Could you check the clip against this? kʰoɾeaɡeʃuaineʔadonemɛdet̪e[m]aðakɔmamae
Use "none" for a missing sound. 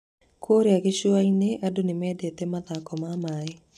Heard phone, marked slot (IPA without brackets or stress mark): m